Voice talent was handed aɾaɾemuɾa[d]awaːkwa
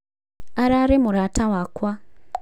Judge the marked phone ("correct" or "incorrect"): incorrect